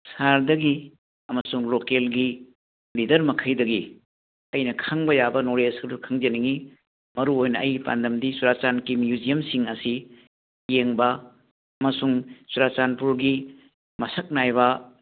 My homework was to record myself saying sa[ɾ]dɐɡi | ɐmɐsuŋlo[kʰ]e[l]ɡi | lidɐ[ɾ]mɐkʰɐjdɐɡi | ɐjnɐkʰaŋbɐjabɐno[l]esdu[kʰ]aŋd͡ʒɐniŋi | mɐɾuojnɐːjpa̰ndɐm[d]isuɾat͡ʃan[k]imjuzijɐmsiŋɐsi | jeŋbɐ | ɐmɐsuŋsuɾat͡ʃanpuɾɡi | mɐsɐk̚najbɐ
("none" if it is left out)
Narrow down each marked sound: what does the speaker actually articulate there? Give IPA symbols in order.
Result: ɾ, k, l, ɾ, ɾ, kʰ, d, k

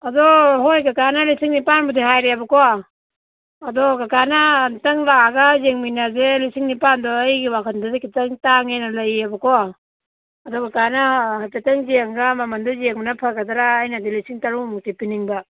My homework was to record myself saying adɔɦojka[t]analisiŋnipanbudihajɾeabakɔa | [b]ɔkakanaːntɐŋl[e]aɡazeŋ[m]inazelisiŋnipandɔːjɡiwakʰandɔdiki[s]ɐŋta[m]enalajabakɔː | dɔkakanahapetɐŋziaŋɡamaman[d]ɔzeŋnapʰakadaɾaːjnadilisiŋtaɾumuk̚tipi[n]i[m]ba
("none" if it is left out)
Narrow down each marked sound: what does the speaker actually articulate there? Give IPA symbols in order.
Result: k, d, a, m, t, ŋ, d, n, ŋ

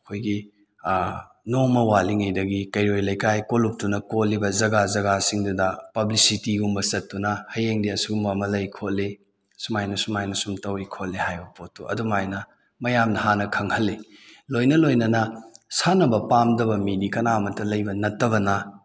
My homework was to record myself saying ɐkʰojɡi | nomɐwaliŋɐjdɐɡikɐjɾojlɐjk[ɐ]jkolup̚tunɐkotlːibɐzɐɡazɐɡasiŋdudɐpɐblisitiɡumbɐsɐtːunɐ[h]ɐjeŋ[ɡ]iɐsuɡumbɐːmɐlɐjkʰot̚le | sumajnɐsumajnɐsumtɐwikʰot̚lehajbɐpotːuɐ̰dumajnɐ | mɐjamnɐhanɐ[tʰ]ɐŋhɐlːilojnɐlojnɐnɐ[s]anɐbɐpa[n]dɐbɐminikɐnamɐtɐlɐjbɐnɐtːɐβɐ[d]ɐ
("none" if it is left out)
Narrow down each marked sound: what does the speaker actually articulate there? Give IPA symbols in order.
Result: a, h, d, kʰ, s, m, n

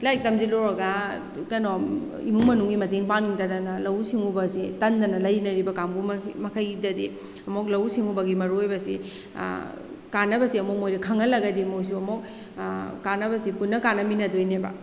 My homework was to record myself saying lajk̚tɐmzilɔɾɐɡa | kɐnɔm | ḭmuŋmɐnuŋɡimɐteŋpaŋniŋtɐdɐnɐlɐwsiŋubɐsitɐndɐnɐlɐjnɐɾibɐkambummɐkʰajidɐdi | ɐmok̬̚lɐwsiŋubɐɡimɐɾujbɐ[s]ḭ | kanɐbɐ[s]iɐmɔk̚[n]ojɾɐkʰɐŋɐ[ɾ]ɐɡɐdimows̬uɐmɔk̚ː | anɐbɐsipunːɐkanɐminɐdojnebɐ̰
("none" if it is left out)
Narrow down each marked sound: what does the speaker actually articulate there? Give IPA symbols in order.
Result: s, s, m, l

